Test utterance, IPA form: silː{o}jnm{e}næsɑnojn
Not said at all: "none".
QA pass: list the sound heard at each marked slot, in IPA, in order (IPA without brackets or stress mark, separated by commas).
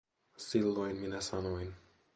o, i